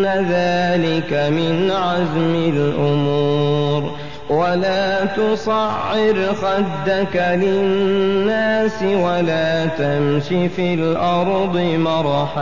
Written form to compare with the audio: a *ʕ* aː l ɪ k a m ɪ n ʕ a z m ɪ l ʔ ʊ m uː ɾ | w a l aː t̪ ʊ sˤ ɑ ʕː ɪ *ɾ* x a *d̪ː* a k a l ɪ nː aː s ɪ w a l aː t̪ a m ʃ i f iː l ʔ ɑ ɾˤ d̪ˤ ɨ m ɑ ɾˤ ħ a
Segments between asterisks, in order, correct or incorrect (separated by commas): incorrect, correct, correct